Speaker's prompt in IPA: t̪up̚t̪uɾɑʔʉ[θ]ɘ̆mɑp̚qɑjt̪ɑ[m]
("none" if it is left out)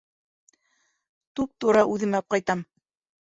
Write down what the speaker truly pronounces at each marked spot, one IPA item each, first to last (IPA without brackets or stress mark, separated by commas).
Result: ð, m